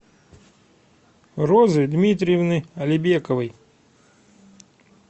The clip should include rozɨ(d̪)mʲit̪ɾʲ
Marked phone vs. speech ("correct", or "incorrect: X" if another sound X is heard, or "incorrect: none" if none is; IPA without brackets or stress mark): correct